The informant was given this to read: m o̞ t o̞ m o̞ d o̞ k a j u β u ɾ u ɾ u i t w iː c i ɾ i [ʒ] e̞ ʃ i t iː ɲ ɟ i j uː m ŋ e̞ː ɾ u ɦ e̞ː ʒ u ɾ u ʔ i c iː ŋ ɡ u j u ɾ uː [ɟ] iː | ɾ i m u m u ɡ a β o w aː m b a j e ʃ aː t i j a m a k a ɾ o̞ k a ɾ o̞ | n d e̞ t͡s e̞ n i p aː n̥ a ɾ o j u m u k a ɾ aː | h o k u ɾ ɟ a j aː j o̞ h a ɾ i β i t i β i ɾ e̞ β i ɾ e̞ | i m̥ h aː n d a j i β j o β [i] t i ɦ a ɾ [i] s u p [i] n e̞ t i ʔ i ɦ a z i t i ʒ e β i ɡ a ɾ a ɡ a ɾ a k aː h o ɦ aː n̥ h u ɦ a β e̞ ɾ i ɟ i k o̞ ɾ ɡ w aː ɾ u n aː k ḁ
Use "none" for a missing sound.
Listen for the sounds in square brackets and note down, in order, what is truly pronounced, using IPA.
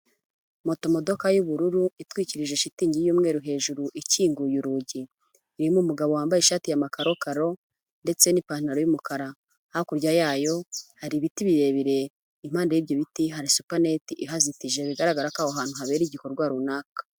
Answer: ʒ, ɟ, i, i, a

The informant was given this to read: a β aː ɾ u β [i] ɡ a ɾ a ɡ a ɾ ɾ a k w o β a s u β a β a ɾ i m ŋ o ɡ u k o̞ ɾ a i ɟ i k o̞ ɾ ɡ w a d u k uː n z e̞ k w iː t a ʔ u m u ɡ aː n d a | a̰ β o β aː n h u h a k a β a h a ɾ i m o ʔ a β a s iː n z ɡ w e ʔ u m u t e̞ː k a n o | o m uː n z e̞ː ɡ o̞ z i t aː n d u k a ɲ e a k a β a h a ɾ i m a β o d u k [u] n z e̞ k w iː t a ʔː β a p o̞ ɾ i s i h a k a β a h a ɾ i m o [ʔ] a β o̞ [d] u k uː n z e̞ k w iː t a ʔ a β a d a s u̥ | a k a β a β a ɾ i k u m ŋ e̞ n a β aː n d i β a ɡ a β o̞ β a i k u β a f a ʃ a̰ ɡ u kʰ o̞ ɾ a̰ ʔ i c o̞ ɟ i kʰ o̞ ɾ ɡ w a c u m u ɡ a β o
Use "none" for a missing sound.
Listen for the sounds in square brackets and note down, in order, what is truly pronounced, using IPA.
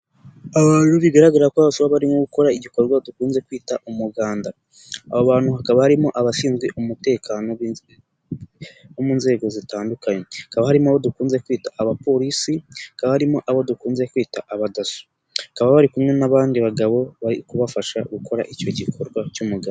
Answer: i, uː, ʔ, d

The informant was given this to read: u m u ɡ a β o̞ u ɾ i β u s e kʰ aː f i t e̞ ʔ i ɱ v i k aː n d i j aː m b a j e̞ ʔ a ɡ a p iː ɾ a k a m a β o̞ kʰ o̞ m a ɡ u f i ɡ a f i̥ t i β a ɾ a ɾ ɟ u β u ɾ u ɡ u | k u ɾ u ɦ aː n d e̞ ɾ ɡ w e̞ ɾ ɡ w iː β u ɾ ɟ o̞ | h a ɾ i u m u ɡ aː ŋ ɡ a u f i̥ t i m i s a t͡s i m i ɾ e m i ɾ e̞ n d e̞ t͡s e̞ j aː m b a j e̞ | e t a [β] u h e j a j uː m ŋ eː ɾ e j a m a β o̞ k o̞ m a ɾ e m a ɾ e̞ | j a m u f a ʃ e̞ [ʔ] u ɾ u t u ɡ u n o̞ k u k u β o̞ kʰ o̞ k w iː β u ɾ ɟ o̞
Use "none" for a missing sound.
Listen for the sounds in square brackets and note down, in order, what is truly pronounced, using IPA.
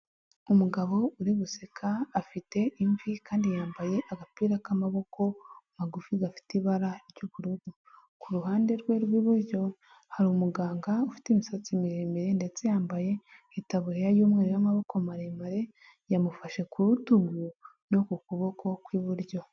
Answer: β, k

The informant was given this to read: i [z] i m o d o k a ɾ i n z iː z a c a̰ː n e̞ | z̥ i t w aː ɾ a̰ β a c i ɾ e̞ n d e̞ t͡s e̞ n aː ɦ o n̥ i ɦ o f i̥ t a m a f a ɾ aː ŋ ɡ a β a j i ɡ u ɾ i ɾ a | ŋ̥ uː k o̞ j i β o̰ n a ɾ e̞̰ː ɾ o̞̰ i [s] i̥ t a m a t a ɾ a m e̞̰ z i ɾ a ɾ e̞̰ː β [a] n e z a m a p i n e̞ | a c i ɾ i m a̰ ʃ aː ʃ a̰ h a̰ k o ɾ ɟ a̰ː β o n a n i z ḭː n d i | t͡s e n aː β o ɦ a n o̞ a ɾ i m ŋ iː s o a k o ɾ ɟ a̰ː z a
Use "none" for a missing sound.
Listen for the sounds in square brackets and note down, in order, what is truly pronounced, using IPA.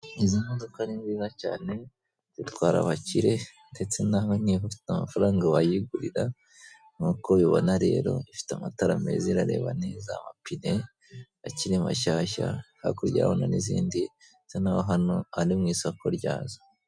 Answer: z, f, a

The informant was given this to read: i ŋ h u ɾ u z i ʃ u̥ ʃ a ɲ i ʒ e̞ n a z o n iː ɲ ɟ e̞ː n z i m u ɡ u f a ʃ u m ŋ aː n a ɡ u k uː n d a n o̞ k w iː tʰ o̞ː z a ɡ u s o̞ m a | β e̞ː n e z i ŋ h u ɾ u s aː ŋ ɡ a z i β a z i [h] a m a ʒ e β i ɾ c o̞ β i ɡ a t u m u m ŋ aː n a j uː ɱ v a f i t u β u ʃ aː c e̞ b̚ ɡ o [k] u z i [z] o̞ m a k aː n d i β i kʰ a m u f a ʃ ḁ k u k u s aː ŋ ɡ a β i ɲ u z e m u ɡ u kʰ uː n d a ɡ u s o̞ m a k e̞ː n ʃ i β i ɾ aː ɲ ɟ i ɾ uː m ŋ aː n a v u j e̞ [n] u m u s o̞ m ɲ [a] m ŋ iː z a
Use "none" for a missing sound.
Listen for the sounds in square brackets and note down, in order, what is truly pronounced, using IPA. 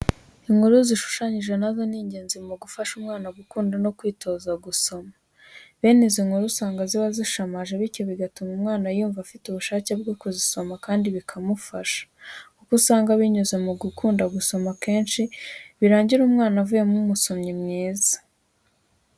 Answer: ʃ, k, s, m, i

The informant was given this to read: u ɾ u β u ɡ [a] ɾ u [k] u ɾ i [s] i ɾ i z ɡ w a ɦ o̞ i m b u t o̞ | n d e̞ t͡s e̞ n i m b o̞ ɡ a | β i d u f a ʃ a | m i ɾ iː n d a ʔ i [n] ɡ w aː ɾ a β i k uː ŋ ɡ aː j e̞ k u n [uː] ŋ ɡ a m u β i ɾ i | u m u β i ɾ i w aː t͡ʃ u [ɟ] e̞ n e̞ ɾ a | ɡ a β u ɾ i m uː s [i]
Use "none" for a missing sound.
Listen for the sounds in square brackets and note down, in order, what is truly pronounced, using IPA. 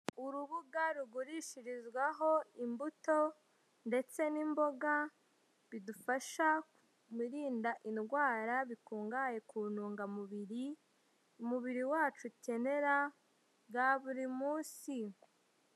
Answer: a, ɡ, ʃ, n, uː, c, i

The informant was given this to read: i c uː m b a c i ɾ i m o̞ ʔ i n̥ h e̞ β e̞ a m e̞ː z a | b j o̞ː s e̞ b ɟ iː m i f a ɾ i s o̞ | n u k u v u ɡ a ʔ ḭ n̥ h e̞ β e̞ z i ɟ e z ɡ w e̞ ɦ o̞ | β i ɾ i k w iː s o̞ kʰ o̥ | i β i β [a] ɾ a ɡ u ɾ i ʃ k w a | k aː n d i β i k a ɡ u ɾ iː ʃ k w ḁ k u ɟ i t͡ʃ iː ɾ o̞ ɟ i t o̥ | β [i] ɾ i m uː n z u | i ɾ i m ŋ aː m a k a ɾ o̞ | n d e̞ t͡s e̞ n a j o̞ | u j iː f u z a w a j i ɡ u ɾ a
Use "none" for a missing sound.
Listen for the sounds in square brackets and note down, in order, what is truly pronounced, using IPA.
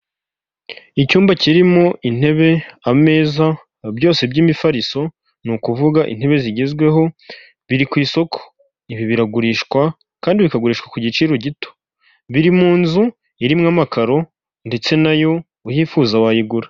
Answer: i, i

